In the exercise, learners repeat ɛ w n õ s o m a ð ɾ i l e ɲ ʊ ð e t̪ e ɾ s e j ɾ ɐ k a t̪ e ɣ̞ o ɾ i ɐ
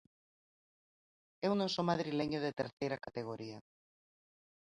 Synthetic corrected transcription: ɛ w n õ s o m a ð ɾ i l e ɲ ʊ ð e t̪ e ɾ θ e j ɾ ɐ k a t̪ e ɣ̞ o ɾ i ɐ